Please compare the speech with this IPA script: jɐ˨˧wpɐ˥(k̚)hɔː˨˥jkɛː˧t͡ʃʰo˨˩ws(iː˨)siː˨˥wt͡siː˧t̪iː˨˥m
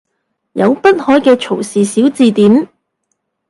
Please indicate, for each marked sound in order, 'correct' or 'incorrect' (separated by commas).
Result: incorrect, correct